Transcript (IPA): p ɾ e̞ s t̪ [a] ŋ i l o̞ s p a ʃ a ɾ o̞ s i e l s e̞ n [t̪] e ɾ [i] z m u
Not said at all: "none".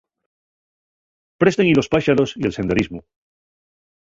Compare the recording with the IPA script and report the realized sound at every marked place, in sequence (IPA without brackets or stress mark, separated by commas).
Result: e, d̪, i